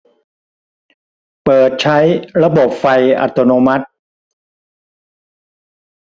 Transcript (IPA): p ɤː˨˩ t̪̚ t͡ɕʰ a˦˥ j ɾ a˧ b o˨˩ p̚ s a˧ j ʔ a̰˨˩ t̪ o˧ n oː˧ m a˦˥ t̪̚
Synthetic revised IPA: p ɤː˨˩ t̪̚ t͡ɕʰ a˦˥ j ɾ a˧ b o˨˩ p̚ f a˧ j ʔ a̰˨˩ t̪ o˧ n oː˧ m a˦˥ t̪̚